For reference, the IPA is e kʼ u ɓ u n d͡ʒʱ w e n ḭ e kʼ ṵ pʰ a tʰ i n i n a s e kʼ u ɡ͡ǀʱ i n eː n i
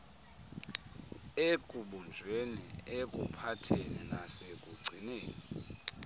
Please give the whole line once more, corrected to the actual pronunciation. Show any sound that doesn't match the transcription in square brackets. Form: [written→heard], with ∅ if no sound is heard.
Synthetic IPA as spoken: e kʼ u ɓ u n d͡ʒʱ w e n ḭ e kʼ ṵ pʰ a tʰ [i→e] n i n a s e kʼ u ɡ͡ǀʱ i n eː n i